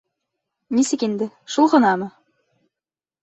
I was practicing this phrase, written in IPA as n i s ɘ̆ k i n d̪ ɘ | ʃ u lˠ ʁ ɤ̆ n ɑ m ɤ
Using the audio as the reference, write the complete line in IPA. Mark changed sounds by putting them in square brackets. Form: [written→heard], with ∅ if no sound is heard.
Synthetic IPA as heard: n i s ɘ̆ k i n d̪ ɘ | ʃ u lˠ ʁ ɤ̆ n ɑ m ɤ